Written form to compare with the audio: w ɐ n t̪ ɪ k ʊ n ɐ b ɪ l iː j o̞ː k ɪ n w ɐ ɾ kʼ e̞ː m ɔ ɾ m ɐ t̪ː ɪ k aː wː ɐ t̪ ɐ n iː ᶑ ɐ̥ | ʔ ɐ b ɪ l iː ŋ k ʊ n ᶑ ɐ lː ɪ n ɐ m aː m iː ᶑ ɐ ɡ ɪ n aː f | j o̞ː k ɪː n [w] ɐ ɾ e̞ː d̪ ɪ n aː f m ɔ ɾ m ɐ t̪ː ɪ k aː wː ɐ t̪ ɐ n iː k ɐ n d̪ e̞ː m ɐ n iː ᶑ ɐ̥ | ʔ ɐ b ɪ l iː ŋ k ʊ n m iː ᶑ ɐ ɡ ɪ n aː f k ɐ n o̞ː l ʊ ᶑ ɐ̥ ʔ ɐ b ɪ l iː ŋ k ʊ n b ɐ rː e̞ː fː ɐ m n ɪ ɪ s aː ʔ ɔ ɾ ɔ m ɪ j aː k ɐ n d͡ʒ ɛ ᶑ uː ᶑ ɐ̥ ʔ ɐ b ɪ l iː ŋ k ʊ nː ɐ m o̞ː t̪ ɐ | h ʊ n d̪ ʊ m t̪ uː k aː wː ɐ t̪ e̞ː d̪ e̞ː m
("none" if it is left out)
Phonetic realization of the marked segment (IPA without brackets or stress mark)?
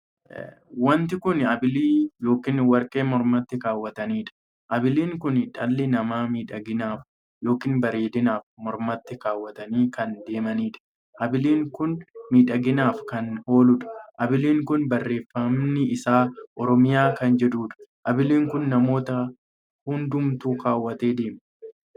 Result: b